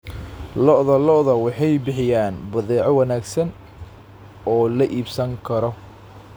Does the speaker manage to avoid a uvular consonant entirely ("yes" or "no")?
yes